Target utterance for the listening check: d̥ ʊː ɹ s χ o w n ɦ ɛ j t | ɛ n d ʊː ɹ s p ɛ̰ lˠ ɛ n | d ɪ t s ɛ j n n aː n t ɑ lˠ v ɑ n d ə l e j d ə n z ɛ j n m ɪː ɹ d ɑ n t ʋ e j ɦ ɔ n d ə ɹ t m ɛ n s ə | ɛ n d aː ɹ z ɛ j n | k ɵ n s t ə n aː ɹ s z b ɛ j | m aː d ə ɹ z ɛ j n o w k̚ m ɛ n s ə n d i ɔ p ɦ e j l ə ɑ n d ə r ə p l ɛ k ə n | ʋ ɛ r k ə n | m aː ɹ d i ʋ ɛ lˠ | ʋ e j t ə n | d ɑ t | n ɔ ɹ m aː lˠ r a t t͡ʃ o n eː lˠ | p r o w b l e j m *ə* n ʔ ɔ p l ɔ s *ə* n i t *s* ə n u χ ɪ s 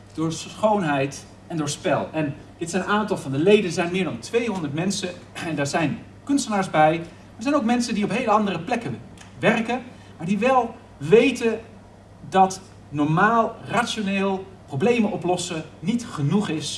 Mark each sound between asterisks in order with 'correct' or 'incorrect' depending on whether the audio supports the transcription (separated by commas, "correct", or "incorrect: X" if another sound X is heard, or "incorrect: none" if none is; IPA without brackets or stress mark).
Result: correct, correct, incorrect: χ